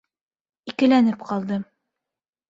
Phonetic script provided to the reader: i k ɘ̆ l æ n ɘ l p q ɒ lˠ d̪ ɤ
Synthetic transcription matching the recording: i k ɘ̆ l æ n ɘ p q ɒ lˠ d̪ ɤ